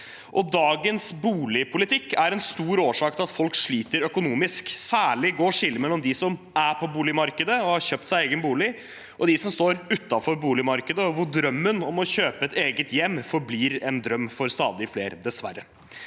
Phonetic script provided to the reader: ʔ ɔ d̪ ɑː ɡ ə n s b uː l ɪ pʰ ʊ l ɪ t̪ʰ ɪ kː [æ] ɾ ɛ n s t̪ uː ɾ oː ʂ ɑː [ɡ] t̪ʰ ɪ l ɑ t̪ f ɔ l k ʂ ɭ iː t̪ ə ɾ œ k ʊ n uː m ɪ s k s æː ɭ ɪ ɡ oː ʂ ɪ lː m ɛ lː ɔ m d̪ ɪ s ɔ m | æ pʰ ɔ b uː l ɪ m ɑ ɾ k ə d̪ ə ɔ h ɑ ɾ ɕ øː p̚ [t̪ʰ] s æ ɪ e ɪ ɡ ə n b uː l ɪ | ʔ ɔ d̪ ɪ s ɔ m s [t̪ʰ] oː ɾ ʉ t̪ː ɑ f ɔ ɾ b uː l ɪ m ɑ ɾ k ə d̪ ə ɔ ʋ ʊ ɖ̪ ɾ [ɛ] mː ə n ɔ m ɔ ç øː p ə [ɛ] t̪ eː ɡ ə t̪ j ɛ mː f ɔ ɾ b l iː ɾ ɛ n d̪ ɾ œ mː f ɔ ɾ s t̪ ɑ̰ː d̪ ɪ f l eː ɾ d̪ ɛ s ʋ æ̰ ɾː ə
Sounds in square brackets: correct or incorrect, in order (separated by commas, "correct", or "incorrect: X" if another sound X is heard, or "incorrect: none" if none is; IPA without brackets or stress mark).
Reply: correct, incorrect: k, incorrect: t̪, incorrect: t̪, incorrect: œ, correct